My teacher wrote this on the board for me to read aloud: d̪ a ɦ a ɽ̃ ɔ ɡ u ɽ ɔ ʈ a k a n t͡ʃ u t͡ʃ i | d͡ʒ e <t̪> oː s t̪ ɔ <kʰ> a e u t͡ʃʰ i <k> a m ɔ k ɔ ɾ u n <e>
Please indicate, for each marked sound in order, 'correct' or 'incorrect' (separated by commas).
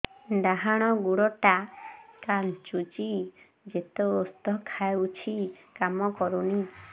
correct, correct, correct, incorrect